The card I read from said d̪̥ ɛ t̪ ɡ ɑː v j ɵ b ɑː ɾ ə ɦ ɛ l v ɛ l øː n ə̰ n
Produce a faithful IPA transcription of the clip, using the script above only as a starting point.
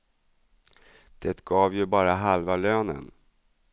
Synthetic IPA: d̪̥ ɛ t̪ ɡ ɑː v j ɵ b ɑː ɾ a ɦ a l v a l øː n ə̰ n